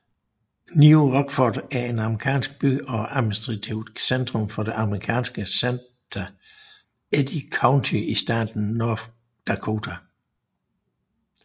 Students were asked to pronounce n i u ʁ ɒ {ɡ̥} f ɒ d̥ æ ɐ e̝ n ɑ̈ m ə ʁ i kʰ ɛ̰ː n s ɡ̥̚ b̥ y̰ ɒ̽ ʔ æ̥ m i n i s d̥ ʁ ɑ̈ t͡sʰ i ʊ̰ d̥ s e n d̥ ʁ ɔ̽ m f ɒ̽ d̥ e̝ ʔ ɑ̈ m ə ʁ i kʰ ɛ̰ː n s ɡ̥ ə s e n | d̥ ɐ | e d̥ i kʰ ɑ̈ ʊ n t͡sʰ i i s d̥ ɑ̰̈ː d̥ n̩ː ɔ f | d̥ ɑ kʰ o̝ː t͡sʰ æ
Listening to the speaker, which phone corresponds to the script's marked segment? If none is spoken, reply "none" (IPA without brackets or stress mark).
ɡ̥